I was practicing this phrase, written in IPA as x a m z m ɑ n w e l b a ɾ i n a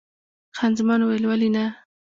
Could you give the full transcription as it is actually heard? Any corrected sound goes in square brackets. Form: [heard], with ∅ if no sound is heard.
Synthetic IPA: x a [n] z m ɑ n w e l [w] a [l] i n a